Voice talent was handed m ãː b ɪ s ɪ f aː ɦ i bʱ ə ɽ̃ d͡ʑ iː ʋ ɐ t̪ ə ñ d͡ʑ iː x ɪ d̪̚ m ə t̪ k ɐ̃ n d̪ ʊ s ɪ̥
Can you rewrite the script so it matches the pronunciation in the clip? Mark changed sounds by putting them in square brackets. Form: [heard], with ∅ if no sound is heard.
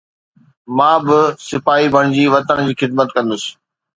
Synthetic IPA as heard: m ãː b ɪ s ɪ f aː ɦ i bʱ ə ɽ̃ d͡ʑ iː ʋ ɐ t̪ ə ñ d͡ʑ iː x ɪ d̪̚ m ə t̪ k ɐ̃ n d̪ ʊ s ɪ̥